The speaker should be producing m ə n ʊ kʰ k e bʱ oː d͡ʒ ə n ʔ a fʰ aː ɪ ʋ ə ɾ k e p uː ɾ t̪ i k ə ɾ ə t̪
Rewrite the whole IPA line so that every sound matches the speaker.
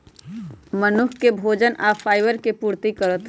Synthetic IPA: m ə n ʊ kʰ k e bʱ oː d͡ʒ ə n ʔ a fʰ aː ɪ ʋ ə ɾ k e p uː ɾ t̪ i k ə ɾ ə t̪